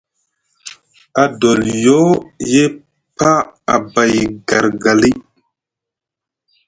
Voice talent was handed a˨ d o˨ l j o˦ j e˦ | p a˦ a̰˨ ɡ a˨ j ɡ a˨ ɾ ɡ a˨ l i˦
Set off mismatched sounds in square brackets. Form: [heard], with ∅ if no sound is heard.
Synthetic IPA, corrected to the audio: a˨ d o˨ l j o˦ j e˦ | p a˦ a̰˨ [b] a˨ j ɡ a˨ ɾ ɡ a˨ l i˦